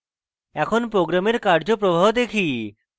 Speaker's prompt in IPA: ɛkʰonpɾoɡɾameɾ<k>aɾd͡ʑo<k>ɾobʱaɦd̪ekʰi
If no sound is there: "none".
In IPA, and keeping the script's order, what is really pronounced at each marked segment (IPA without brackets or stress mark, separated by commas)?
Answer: k, p